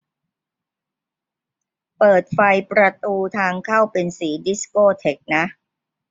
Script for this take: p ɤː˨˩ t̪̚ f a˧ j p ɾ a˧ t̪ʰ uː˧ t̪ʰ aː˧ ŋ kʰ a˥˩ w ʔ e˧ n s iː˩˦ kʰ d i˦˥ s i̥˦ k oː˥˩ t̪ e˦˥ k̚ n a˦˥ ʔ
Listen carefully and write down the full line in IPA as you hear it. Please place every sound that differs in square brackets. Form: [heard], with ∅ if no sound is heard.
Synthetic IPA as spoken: p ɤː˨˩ t̪̚ f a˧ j p ɾ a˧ [t̪] uː˧ t̪ʰ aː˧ ŋ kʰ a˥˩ w [p] e˧ n s iː˩˦ [∅] d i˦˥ s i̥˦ k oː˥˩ [t̪ʰ] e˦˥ k̚ n a˦˥ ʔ